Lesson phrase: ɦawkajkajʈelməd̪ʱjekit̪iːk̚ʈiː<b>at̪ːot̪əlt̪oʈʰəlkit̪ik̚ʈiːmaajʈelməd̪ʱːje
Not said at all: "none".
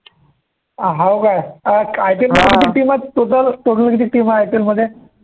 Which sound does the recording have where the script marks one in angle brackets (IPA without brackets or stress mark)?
m